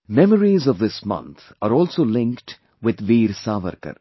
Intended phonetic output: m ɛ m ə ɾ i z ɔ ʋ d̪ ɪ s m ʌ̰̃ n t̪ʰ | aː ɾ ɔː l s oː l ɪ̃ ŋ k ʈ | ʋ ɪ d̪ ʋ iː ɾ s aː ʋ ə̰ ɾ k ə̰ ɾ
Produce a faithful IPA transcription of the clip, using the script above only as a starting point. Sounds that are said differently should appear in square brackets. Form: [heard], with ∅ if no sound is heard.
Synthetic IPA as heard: m ɛ m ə ɾ i z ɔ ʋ d̪ ɪ s m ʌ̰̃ n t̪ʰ | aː ɾ ɔː l s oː l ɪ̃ ŋ k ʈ | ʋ ɪ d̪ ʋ iː ɾ s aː ʋ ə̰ ɾ k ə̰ ɾ